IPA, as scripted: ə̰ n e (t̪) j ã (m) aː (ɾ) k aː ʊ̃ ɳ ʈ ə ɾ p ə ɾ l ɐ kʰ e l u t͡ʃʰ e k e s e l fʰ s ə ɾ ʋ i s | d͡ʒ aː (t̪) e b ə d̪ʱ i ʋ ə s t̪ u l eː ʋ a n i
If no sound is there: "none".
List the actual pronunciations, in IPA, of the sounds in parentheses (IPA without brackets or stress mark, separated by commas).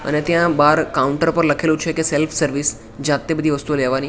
t̪, b, ɾ, t̪